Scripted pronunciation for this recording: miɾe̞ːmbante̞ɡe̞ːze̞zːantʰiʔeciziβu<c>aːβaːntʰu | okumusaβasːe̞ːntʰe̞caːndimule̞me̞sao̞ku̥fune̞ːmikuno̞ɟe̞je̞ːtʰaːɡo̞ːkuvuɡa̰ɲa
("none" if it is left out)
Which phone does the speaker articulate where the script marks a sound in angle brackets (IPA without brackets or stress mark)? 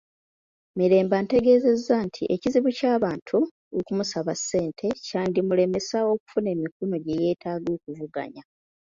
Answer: c